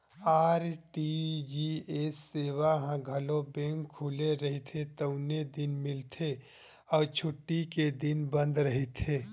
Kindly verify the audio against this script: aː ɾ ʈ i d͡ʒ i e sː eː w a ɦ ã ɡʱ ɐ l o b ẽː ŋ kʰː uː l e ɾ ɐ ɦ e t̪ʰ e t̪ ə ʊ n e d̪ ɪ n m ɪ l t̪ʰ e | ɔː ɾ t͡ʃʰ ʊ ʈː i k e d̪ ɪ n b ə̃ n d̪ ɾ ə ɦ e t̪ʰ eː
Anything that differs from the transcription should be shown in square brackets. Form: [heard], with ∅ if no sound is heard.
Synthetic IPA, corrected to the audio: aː ɾ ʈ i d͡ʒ i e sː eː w a ɦ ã ɡʱ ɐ l o b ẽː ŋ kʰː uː l e ɾ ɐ ɦ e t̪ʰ e t̪ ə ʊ n e d̪ ɪ n m ɪ l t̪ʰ e | ɔː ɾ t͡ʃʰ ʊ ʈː i k e d̪ ɪ n b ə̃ n d̪ ɾ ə ɦ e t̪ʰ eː